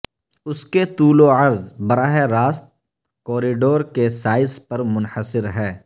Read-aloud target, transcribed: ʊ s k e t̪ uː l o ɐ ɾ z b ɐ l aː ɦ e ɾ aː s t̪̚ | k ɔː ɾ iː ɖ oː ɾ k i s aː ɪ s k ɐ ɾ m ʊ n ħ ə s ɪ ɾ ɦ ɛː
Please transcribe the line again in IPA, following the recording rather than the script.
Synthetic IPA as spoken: ʊ s k e t̪ uː l o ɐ ɾ z b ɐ ɾ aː ɦ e ɾ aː s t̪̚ | k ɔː ɾ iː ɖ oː ɾ k e s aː ɪ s p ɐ ɾ m ʊ n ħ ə s ɪ ɾ ɦ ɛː